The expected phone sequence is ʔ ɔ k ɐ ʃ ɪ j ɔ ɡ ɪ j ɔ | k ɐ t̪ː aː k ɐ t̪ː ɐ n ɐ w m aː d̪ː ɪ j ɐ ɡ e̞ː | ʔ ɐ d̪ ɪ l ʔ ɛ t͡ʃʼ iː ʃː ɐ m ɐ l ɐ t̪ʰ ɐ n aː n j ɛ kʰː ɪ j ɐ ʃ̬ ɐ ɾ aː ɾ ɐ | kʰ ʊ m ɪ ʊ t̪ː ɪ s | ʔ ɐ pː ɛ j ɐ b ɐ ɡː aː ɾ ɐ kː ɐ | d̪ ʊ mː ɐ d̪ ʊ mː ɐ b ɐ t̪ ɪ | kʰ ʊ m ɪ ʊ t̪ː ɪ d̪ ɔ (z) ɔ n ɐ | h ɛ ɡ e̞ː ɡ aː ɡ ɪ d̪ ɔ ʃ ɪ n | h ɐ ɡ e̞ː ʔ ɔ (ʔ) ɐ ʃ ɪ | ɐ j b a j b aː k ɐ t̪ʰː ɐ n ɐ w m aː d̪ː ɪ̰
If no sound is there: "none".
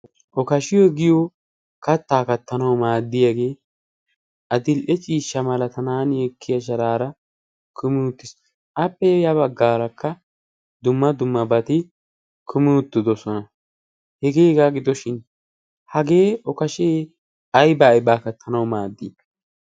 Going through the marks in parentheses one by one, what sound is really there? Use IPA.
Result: s, k

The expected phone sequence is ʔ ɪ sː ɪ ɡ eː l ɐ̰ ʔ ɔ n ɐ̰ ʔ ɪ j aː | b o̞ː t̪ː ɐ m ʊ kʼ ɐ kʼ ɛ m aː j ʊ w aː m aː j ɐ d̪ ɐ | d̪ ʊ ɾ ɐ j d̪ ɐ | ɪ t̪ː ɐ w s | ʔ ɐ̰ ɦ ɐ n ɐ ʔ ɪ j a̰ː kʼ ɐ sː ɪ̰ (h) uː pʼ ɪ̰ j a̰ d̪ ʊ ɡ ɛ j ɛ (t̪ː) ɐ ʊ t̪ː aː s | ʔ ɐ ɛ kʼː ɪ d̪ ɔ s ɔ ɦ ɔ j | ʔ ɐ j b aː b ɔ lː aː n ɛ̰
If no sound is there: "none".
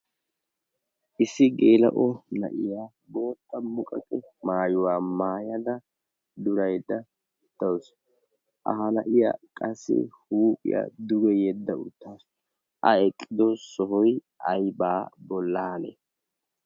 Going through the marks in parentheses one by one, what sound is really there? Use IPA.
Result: h, d̪ː

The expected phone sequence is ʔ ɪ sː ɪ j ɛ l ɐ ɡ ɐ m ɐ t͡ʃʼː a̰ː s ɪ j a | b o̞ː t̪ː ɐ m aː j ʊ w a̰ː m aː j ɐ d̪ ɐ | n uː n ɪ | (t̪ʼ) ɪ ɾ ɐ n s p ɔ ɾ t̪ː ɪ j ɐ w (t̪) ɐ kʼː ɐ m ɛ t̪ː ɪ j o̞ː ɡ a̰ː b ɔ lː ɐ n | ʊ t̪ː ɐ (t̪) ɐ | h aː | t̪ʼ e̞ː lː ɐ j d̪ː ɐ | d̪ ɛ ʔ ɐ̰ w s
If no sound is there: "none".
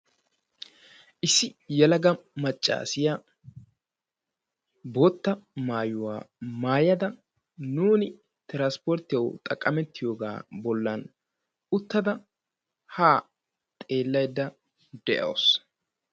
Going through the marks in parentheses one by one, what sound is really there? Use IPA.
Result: t̪, t̪ʼ, d̪

